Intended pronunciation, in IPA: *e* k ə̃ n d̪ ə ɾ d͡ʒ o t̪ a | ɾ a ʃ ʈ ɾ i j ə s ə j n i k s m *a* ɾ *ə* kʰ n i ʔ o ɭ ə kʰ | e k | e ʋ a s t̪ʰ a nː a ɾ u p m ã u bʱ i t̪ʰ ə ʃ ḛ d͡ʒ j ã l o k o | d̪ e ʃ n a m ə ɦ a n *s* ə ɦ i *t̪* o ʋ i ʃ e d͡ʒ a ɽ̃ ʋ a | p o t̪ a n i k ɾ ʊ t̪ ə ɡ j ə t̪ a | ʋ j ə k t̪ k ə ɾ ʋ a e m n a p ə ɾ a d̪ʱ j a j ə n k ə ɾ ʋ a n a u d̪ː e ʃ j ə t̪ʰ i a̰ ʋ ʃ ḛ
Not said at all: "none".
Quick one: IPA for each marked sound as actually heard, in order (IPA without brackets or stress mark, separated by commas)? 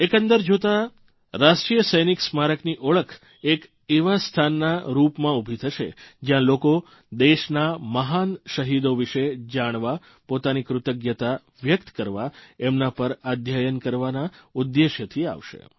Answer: e, a, ə, ʃ, d̪